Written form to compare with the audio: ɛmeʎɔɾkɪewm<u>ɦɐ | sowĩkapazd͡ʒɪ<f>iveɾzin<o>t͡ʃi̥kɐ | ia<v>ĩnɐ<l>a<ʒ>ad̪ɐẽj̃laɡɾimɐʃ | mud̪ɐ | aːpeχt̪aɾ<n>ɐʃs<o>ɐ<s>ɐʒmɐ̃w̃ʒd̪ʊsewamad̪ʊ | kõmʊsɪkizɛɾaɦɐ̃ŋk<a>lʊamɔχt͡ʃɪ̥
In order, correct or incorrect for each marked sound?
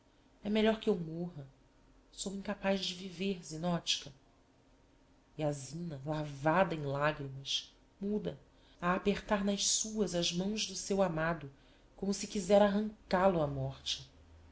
incorrect: o, incorrect: v, incorrect: ɔ, incorrect: z, correct, incorrect: v, correct, incorrect: u, incorrect: z, correct

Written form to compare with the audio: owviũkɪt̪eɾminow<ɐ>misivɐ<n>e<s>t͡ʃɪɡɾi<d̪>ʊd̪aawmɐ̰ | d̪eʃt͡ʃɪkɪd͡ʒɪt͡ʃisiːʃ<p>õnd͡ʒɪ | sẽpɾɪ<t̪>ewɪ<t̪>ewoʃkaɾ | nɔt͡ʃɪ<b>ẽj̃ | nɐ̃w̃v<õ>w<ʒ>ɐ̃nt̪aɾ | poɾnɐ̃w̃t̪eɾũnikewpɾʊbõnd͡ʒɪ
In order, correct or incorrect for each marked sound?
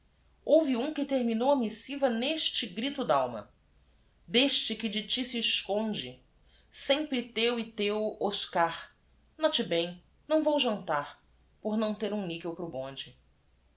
correct, correct, incorrect: ʃ, incorrect: t̪, incorrect: k, correct, correct, correct, incorrect: o, correct

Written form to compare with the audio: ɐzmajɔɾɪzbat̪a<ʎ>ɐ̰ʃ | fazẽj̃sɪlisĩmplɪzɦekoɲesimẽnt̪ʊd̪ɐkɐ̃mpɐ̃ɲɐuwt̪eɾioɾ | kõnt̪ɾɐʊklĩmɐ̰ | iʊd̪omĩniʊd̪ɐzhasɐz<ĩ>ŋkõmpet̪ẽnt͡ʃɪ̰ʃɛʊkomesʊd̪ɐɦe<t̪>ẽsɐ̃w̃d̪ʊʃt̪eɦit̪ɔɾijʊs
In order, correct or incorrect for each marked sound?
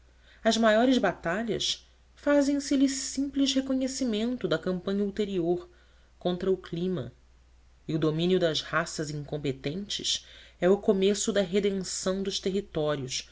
correct, correct, incorrect: d̪

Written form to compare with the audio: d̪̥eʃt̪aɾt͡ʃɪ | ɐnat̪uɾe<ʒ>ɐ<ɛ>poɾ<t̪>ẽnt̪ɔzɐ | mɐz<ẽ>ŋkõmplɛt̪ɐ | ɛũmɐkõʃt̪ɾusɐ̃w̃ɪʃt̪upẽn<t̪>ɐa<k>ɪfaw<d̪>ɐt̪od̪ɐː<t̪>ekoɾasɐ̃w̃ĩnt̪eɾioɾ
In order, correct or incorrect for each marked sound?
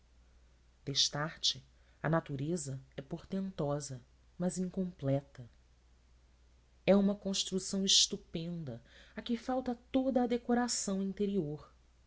incorrect: z, correct, correct, incorrect: ĩ, incorrect: d̪, correct, incorrect: t̪, incorrect: d̪

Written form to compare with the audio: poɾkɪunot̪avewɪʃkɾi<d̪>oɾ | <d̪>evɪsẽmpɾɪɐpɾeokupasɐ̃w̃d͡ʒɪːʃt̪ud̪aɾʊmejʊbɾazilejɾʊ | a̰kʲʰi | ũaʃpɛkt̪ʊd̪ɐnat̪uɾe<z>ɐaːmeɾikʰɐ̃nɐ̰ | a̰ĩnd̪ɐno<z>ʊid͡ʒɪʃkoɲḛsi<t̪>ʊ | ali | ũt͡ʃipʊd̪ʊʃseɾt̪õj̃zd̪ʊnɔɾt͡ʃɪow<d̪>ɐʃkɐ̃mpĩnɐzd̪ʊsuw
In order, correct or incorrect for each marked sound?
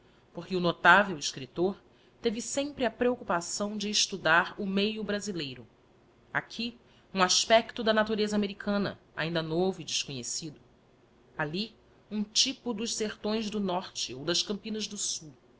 incorrect: t̪, incorrect: t̪, correct, incorrect: v, incorrect: d̪, correct

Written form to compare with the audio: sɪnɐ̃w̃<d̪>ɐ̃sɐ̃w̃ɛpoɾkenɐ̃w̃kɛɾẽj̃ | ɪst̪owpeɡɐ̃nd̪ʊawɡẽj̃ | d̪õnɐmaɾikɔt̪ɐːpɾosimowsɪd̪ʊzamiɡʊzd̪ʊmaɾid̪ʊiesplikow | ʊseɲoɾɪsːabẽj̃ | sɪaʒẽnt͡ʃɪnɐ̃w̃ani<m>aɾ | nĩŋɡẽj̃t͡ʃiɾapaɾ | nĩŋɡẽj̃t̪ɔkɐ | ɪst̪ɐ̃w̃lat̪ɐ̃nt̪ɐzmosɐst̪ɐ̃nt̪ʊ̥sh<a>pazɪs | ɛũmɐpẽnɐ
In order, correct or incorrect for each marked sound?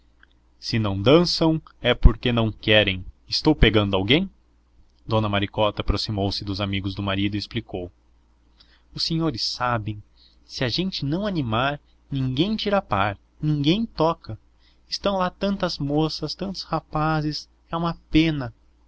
correct, correct, correct

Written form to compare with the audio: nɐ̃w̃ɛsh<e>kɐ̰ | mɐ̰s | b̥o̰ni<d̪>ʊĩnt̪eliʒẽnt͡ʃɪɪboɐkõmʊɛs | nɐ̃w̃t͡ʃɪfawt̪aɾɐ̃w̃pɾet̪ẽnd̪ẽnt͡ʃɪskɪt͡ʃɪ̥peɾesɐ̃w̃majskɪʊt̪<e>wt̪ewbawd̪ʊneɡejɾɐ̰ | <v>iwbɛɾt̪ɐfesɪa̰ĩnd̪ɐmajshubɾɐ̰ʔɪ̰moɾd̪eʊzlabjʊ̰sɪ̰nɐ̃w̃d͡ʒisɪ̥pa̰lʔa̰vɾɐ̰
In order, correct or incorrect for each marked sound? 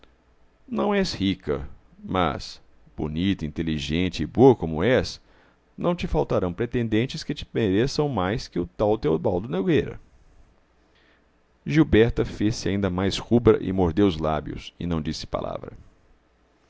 incorrect: i, incorrect: t̪, incorrect: a, incorrect: ʒ

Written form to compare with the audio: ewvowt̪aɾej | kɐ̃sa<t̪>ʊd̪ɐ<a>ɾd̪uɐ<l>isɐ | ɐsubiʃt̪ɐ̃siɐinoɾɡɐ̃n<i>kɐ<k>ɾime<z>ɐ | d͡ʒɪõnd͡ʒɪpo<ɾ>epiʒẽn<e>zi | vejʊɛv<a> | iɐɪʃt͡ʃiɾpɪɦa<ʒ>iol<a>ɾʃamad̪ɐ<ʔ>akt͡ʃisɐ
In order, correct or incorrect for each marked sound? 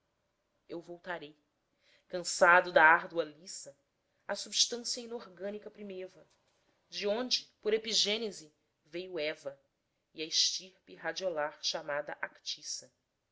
incorrect: d̪, correct, correct, correct, incorrect: p, incorrect: v, correct, correct, incorrect: ɐ, incorrect: d͡ʒ, correct, correct

